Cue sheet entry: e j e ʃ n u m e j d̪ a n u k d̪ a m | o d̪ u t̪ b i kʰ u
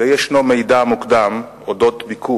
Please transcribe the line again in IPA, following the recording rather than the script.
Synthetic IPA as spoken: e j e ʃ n o m e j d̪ a m u k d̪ a m | o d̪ o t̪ b i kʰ u